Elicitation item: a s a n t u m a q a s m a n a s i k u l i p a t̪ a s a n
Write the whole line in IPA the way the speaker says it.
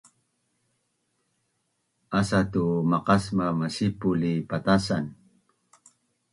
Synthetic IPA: a s a t u m a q a s m a m a s i p u l i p a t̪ a s a n